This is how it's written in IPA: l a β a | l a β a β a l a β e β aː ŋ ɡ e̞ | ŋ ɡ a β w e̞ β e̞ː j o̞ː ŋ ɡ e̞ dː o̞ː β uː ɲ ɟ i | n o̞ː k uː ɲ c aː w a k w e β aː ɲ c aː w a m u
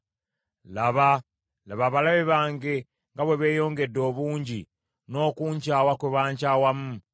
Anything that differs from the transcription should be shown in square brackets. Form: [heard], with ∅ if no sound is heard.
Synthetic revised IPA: l a β a | l a β a β a l a β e β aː ŋ ɡ e̞ | ŋ ɡ a β w e̞ β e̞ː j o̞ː ŋ ɡ e̞ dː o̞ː β uː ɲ ɟ i | n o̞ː k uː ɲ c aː w a k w e β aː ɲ c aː w a m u